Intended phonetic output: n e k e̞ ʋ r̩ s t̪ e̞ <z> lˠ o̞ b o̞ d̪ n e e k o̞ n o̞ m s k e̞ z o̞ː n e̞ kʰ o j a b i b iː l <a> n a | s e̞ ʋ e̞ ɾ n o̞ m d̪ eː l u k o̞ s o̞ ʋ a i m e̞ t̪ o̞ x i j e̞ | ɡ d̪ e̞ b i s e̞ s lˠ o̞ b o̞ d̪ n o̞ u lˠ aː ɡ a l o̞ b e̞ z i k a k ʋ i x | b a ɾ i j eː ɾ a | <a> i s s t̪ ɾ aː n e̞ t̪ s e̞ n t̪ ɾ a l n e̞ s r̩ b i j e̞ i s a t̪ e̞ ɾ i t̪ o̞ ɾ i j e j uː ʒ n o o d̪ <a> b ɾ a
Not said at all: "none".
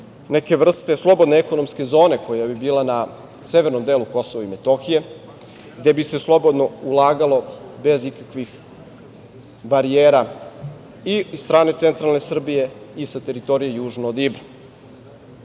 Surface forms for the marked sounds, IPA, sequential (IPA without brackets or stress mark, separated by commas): s, a, i, i